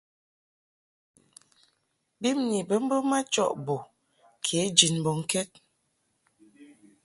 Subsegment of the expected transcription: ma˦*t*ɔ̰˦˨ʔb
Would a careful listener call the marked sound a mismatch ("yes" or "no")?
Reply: yes